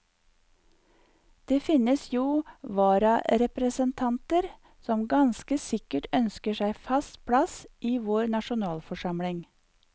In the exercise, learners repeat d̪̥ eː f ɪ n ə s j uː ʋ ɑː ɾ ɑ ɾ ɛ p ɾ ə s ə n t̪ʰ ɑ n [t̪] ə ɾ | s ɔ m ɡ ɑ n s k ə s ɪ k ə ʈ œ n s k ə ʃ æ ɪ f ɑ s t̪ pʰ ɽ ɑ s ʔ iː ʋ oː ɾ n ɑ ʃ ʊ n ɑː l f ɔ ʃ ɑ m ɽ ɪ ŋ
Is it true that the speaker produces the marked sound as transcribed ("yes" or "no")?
yes